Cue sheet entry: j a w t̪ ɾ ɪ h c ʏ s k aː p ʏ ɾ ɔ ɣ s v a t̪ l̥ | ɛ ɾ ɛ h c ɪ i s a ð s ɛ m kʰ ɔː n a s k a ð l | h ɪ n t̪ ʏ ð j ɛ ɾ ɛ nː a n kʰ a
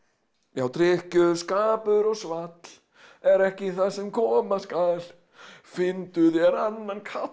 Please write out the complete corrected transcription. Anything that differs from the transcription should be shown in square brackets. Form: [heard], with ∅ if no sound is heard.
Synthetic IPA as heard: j a w t̪ ɾ ɪ h c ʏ s k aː p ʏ ɾ ɔ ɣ s v a t̪ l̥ | ɛ ɾ ɛ h c ɪ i [θ] a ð s ɛ m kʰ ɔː [m] a s k a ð l | [f] ɪ n t̪ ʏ ð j ɛ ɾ [a] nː a n kʰ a